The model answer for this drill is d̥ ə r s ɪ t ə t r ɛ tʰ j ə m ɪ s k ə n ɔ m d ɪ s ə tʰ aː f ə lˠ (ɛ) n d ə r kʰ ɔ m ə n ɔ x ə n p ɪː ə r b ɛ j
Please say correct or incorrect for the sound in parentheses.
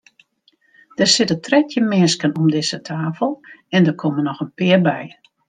correct